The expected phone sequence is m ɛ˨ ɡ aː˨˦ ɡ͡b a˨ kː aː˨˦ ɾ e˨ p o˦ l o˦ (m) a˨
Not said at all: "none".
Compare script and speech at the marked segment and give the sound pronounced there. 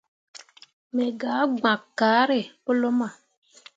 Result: m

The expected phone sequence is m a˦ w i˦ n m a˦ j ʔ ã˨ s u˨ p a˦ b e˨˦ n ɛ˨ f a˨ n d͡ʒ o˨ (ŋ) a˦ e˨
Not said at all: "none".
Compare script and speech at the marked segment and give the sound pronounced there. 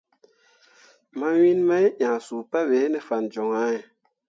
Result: ŋ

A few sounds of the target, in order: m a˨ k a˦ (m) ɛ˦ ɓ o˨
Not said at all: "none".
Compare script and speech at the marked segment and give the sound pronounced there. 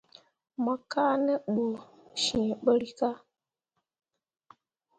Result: n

